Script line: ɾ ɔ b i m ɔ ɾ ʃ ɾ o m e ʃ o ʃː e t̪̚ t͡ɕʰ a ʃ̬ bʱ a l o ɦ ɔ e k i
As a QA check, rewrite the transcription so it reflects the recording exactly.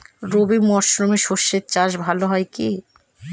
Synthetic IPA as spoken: ɾ o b i m ɔ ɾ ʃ ɾ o m e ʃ o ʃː e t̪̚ t͡ɕ a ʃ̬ bʱ a l o ɦ ɔ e k i